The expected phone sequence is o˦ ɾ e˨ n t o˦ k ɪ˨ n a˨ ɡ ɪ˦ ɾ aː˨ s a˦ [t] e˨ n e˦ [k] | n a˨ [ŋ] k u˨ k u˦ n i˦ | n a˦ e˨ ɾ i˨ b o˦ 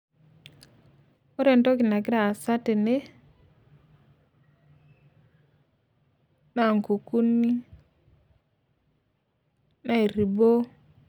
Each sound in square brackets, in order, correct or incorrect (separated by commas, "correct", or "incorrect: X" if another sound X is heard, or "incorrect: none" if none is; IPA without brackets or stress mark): correct, incorrect: none, correct